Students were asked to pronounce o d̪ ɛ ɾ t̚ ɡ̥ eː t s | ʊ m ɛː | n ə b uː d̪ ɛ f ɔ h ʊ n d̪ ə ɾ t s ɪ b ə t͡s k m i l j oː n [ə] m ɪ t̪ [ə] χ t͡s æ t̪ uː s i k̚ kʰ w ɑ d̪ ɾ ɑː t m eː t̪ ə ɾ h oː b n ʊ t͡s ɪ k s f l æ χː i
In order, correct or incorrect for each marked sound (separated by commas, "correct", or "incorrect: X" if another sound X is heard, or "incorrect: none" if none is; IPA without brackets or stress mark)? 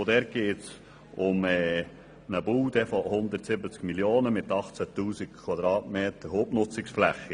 correct, incorrect: ɑ